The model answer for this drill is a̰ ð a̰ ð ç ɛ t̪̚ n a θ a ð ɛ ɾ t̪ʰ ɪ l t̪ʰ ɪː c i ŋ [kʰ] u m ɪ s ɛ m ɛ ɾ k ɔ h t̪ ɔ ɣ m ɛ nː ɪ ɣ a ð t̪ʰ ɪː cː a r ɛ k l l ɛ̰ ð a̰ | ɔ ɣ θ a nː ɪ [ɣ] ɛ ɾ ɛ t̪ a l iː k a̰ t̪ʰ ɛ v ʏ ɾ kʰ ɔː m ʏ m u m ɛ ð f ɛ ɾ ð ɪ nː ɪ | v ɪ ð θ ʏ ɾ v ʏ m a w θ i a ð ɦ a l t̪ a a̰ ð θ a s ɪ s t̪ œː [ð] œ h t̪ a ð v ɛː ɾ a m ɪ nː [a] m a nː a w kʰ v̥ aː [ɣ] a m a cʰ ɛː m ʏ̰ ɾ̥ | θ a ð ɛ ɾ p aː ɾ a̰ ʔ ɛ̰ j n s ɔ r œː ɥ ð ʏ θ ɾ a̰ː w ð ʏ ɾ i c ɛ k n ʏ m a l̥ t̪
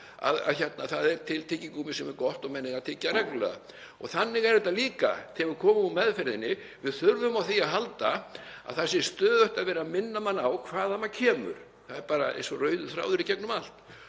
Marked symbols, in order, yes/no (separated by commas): no, yes, yes, yes, no